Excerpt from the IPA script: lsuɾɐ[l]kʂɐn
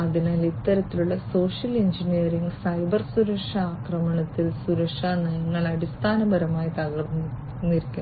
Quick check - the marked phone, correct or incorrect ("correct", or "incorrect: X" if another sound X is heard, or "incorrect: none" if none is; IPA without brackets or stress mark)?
incorrect: none